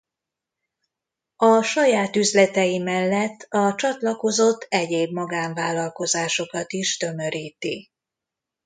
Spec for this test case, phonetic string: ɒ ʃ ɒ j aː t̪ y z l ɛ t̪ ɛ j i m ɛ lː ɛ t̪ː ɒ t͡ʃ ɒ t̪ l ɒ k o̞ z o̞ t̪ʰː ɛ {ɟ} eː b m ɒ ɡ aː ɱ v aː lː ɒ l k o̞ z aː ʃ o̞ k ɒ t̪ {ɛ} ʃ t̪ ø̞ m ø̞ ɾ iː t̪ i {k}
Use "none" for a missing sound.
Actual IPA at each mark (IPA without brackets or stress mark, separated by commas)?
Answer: ɟ, i, none